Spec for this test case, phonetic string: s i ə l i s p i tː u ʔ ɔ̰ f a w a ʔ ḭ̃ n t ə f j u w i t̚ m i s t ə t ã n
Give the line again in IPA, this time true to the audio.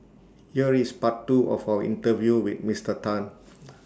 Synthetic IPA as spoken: h i ə ɹ i s p a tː u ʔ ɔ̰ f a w ə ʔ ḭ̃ n t ə v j u w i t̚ m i s t ə t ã n